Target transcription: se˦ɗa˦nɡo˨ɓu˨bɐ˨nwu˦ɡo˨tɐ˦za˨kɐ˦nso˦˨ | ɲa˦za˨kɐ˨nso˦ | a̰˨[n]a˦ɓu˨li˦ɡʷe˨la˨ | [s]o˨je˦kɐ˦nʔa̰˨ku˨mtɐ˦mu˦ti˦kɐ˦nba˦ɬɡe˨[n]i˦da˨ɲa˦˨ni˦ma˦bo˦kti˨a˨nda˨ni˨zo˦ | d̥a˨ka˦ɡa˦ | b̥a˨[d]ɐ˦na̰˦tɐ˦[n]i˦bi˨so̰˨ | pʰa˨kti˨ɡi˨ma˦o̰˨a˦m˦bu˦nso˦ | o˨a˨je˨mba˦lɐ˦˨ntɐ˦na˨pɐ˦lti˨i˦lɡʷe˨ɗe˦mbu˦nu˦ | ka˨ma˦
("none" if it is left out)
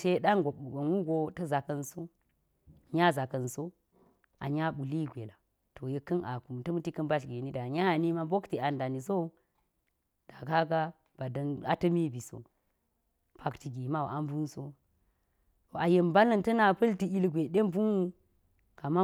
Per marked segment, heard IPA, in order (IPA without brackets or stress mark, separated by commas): ɲ, t, n, d, m